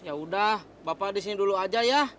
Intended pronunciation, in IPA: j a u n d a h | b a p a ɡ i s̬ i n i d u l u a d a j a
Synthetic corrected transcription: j a u d a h | b a p a d i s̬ i n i d u l u a d͡ʒ a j a